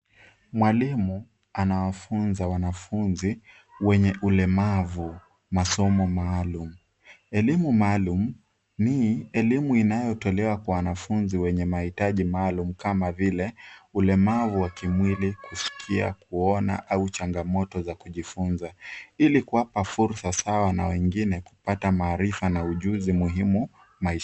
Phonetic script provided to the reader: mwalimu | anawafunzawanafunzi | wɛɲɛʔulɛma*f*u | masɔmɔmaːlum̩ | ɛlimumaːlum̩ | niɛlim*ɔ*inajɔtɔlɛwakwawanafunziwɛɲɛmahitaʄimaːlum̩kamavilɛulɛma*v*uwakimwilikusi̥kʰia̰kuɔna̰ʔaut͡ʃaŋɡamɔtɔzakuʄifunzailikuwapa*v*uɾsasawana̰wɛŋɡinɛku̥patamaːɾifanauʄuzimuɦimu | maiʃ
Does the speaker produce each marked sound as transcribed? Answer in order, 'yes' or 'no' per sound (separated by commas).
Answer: no, no, yes, no